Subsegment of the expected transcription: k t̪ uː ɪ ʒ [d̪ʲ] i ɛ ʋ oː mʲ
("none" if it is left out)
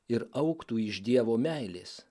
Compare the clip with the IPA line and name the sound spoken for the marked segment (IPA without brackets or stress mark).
d̪ʲ